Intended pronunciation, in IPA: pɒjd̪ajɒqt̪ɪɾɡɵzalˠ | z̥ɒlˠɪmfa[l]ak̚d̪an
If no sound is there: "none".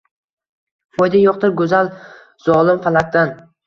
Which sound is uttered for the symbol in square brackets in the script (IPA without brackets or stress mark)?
l